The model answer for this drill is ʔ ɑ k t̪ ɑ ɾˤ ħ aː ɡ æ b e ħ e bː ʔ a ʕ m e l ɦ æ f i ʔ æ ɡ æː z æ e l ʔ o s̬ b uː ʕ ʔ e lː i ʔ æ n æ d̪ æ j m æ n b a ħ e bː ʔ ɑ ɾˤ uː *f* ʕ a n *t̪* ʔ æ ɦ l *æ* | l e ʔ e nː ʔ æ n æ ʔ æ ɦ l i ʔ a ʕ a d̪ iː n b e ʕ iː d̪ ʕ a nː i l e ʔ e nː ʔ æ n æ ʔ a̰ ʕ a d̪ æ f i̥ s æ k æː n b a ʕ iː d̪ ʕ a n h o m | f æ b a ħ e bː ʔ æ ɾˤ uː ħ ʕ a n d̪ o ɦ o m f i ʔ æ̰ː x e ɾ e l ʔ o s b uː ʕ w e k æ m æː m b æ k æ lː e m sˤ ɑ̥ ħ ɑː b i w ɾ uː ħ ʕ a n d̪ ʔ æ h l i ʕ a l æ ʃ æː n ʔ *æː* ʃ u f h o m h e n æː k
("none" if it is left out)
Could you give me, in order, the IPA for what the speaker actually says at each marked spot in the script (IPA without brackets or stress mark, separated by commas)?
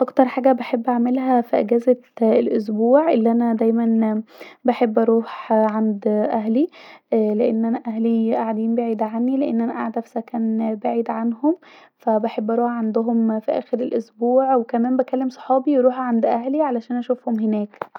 ħ, d̪, i, æ